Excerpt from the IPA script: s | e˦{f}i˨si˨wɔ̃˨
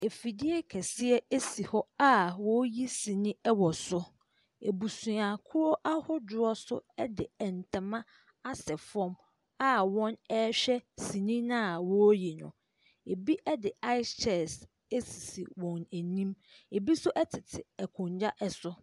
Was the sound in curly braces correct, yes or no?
no